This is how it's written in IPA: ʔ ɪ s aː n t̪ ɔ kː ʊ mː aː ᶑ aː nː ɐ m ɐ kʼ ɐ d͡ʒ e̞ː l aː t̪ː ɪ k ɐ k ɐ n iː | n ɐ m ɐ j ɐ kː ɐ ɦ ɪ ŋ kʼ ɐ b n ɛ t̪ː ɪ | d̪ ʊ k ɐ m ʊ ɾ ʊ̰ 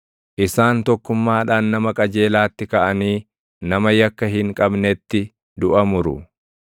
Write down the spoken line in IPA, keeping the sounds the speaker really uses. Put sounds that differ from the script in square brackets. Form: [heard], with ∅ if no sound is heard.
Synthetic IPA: ʔ ɪ s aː n t̪ ɔ kː ʊ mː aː ᶑ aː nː ɐ m ɐ kʼ ɐ d͡ʒ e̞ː l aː t̪ː ɪ k ɐ [ʔ] ɐ n iː | n ɐ m ɐ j ɐ kː ɐ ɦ ɪ ŋ kʼ ɐ b n ɛ t̪ː ɪ | d̪ ʊ [ʔ] ɐ m ʊ ɾ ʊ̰

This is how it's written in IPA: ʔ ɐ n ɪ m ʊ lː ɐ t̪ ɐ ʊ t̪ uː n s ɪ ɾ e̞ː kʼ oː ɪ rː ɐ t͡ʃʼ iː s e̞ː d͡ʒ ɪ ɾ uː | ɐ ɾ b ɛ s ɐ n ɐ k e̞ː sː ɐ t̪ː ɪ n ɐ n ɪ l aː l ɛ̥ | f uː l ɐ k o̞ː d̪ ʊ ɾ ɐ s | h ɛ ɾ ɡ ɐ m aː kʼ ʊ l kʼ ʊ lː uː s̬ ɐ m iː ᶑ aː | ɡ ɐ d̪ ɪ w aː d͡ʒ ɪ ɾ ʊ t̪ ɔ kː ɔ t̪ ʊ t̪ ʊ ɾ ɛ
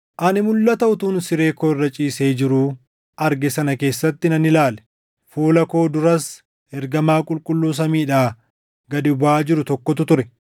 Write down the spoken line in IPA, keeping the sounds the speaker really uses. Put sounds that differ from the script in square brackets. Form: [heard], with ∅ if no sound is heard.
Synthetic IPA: ʔ ɐ n ɪ m ʊ lː ɐ t̪ ɐ ʊ t̪ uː n s ɪ ɾ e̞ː [k] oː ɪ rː ɐ t͡ʃʼ iː s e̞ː d͡ʒ ɪ ɾ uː | ɐ ɾ [ɡ] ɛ s ɐ n ɐ k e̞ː sː ɐ t̪ː ɪ n ɐ n ɪ l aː l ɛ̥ | f uː l ɐ k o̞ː d̪ ʊ ɾ ɐ s | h ɛ ɾ ɡ ɐ m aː kʼ ʊ l kʼ ʊ lː uː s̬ ɐ m iː ᶑ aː | ɡ ɐ d̪ ɪ [b] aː d͡ʒ ɪ ɾ ʊ t̪ ɔ kː ɔ t̪ ʊ t̪ ʊ ɾ ɛ

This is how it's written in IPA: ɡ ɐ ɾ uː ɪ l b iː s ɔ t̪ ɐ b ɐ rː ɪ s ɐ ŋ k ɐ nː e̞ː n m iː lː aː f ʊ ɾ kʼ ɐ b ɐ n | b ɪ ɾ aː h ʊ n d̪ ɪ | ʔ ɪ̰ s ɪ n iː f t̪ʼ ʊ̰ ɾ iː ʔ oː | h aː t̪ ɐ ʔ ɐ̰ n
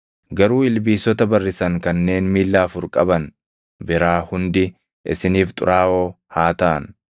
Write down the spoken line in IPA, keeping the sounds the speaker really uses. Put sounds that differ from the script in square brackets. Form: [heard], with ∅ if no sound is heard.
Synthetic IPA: ɡ ɐ ɾ uː ɪ l b iː s ɔ t̪ ɐ b ɐ rː ɪ s ɐ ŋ k ɐ nː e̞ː n m iː lː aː f ʊ ɾ kʼ ɐ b ɐ n | b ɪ ɾ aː h ʊ n d̪ ɪ | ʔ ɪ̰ s ɪ n iː f t̪ʼ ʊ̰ ɾ [aː] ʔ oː | h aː t̪ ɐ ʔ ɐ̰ n

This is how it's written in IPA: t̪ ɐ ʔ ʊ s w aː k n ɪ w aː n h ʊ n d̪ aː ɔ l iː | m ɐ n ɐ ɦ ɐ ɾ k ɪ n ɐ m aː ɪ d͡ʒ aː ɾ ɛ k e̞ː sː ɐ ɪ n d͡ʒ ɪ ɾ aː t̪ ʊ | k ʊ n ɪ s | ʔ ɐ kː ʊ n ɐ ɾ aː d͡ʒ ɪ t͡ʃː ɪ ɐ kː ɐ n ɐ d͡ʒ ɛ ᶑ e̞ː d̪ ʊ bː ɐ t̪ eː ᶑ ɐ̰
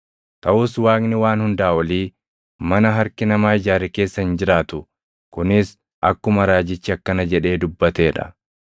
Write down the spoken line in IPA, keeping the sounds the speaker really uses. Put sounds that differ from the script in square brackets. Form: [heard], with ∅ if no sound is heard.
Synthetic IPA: t̪ ɐ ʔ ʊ s w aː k n ɪ w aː n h ʊ n d̪ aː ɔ l iː | m ɐ n ɐ ɦ ɐ ɾ k ɪ n ɐ m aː ɪ d͡ʒ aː ɾ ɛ k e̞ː sː ɐ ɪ n d͡ʒ ɪ ɾ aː t̪ ʊ | k ʊ n ɪ s | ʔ ɐ kː ʊ [m] ɐ ɾ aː d͡ʒ ɪ t͡ʃː ɪ ɐ kː ɐ n ɐ d͡ʒ ɛ ᶑ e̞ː d̪ ʊ bː ɐ t̪ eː ᶑ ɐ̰

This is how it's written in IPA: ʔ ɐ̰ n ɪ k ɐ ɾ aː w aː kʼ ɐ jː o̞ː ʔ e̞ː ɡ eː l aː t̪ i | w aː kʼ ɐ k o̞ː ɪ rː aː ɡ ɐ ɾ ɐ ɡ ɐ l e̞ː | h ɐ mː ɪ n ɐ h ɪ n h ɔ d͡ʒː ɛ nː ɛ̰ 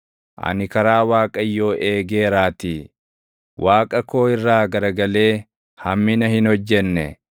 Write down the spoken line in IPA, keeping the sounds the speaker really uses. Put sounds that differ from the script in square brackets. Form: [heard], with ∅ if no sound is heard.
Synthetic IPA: ʔ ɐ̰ n ɪ k ɐ ɾ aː w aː kʼ ɐ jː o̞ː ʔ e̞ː ɡ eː [ɾ] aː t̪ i | w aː kʼ ɐ k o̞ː ɪ rː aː ɡ ɐ ɾ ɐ ɡ ɐ l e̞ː | h ɐ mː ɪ n ɐ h ɪ n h ɔ d͡ʒː ɛ nː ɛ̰

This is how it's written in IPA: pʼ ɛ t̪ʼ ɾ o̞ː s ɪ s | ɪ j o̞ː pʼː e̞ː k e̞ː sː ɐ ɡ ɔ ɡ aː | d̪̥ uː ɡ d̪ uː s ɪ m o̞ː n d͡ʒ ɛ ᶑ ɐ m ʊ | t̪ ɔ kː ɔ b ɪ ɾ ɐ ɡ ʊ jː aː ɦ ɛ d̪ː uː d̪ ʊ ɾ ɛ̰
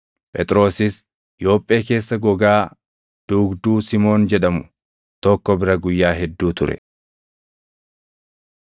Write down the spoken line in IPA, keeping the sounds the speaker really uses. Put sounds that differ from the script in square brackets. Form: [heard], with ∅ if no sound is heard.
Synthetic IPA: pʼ ɛ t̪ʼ ɾ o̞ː s ɪ s | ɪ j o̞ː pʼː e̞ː k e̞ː sː ɐ ɡ ɔ ɡ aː | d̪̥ uː ɡ d̪ uː s ɪ m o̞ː n d͡ʒ ɛ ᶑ ɐ m ʊ | t̪ ɔ kː ɔ b ɪ ɾ ɐ ɡ ʊ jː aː ɦ ɛ d̪ː uː [t̪] ʊ ɾ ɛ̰

